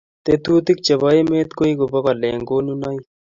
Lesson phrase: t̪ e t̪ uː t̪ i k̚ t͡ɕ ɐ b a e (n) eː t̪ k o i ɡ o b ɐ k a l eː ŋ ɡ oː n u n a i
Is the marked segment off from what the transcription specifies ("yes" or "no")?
yes